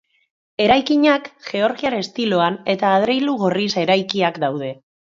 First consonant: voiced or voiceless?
voiced